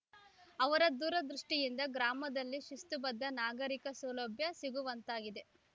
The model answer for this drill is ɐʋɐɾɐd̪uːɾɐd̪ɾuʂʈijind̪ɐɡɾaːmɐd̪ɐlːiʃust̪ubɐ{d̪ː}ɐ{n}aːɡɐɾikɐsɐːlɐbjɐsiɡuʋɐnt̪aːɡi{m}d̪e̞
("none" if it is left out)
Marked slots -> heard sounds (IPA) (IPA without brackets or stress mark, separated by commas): d̪ː, n, none